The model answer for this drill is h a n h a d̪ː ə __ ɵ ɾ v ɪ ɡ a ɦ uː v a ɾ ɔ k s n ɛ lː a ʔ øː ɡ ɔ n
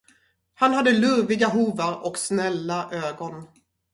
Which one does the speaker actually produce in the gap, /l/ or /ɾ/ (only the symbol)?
l